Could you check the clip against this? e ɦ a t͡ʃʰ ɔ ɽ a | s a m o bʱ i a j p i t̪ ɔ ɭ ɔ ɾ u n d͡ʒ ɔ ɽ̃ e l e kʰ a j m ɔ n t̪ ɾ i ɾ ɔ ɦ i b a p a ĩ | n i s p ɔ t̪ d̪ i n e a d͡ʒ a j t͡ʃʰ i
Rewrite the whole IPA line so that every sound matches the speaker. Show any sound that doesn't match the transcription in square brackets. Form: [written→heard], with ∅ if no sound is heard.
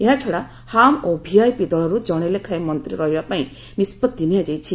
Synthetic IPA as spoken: e ɦ a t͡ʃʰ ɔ ɽ a | [s→h] a m o bʱ i a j p i [t̪→d̪] ɔ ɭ ɔ ɾ u [n→∅] d͡ʒ ɔ ɽ̃ e l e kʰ a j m ɔ n t̪ ɾ i ɾ ɔ ɦ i b a p a ĩ | n i s p ɔ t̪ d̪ i n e a d͡ʒ a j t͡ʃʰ i

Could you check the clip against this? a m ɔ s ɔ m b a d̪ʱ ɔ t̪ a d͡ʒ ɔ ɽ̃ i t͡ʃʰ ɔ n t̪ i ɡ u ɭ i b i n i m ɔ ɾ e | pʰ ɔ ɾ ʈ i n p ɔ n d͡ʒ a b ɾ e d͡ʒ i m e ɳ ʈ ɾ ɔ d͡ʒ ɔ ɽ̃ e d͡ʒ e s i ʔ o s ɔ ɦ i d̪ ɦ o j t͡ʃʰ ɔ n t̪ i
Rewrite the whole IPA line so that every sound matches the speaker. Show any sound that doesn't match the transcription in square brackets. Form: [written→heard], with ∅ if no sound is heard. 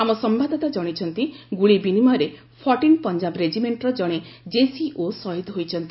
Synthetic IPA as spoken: a m ɔ s ɔ m b a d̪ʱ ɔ t̪ a d͡ʒ ɔ ɽ̃ i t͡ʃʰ ɔ n t̪ i ɡ u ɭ i b i n i m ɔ ɾ e | pʰ ɔ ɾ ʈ i n p ɔ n d͡ʒ a b ɾ e d͡ʒ i m e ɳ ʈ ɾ ɔ d͡ʒ ɔ ɽ̃ e d͡ʒ e s i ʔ o s ɔ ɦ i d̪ ɦ o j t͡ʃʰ ɔ n t̪ i

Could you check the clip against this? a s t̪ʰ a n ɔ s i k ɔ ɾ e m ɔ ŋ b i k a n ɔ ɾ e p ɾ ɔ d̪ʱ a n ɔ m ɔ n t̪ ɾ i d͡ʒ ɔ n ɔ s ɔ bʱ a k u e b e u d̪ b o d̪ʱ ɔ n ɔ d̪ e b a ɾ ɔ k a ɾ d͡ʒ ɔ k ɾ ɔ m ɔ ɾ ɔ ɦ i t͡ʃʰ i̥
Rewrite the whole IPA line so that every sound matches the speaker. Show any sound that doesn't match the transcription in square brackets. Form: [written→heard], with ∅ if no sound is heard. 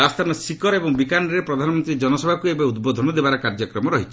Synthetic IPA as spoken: a s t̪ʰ a n ɔ s i k ɔ ɾ e [m→b] ɔ ŋ b i k a n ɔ ɾ e p ɾ ɔ d̪ʱ a n ɔ m ɔ n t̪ ɾ i d͡ʒ ɔ n ɔ s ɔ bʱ a k u e b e u d̪ b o d̪ʱ ɔ n ɔ d̪ e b a ɾ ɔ k a ɾ d͡ʒ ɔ k ɾ ɔ m ɔ ɾ ɔ ɦ i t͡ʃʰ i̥

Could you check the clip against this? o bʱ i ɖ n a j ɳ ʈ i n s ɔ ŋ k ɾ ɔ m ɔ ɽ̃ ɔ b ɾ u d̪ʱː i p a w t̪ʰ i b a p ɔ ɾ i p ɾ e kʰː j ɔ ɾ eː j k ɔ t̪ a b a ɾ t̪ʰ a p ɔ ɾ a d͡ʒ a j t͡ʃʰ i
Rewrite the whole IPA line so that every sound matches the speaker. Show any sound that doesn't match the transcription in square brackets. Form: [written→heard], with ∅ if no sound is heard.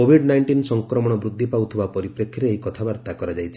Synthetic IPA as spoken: o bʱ i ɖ n a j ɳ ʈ i n s ɔ ŋ k ɾ ɔ m ɔ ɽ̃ ɔ b ɾ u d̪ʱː i p a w t̪ʰ i b a p ɔ ɾ i p ɾ e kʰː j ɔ ɾ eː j k ɔ [t̪→t̪ʰ] a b a ɾ [t̪ʰ→t̪] a [p→k] ɔ ɾ a d͡ʒ a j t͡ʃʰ i

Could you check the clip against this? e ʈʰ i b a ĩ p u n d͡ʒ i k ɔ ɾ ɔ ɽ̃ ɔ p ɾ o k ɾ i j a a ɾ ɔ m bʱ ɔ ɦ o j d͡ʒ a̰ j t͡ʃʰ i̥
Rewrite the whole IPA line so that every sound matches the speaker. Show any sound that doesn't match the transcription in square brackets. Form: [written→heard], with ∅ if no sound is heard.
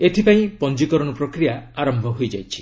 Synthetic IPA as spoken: e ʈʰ i [b→p] a ĩ p [u→ɔ] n d͡ʒ i k ɔ ɾ ɔ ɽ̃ ɔ p ɾ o k ɾ i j a a ɾ ɔ m bʱ ɔ ɦ o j d͡ʒ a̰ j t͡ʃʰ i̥

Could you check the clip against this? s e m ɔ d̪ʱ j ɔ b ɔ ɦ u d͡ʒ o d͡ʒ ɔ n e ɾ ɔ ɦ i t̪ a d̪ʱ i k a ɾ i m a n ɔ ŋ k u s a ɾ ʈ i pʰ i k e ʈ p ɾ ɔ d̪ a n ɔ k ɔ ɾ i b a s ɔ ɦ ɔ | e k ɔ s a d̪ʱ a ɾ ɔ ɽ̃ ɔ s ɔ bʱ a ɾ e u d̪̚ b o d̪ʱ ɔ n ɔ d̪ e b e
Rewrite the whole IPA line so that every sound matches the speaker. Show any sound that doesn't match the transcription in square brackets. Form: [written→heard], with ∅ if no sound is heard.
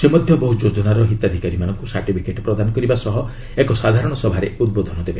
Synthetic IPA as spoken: s e m ɔ d̪ʱ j ɔ b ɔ ɦ u d͡ʒ o d͡ʒ ɔ n [e→a] ɾ ɔ ɦ i t̪ a d̪ʱ i k a ɾ i m a n ɔ ŋ k u s a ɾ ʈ i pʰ i k e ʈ p ɾ ɔ d̪ a n ɔ k ɔ ɾ i b a s ɔ ɦ ɔ | e k ɔ s a d̪ʱ a ɾ ɔ ɽ̃ ɔ s ɔ bʱ a ɾ e u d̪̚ b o d̪ʱ ɔ n ɔ d̪ e b e

